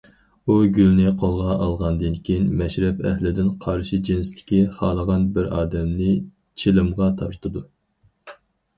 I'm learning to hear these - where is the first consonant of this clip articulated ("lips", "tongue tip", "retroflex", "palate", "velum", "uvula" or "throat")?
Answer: velum